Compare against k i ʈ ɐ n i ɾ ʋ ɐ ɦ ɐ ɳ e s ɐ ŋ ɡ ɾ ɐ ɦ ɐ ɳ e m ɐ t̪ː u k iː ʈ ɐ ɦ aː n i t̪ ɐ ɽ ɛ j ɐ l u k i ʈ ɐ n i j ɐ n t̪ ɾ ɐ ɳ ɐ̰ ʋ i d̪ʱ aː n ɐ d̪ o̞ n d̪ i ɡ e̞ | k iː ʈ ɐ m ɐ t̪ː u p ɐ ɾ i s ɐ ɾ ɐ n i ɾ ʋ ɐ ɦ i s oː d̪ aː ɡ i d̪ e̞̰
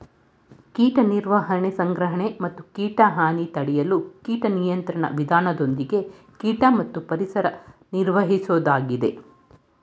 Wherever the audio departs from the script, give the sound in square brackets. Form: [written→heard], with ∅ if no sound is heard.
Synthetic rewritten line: k [i→iː] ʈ ɐ n i ɾ ʋ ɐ ɦ ɐ ɳ e s ɐ ŋ ɡ ɾ ɐ ɦ ɐ ɳ e m ɐ t̪ː u k iː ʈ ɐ ɦ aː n i t̪ ɐ ɽ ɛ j ɐ l u k [i→iː] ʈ ɐ n i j ɐ n t̪ ɾ ɐ ɳ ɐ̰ ʋ i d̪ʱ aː n ɐ d̪ o̞ n d̪ i ɡ e̞ | k iː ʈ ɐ m ɐ t̪ː u p ɐ ɾ i s ɐ ɾ ɐ n i ɾ ʋ ɐ ɦ i s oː d̪ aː ɡ i d̪ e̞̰